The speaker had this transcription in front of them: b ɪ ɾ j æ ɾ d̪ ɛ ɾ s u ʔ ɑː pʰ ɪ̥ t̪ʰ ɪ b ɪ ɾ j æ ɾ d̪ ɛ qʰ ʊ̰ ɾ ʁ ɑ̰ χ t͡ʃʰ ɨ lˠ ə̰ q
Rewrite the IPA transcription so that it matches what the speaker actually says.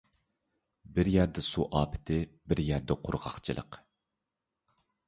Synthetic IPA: b ɪ ɾ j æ ɾ d̪ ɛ s u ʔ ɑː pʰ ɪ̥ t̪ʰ ɪ b ɪ ɾ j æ ɾ d̪ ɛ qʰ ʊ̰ ɾ ʁ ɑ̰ χ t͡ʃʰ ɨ lˠ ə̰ q